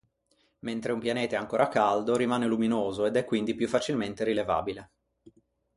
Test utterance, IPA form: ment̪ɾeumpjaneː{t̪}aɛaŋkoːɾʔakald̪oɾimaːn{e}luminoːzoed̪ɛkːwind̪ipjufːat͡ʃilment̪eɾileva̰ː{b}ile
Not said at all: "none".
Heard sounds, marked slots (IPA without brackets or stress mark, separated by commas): t̪, e, b